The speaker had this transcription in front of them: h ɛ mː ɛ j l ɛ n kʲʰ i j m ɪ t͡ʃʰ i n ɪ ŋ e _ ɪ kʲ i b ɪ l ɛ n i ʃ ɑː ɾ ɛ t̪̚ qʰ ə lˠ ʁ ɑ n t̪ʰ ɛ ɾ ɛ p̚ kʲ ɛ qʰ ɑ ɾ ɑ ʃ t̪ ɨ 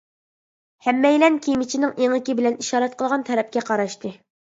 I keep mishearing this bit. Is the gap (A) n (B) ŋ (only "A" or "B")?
B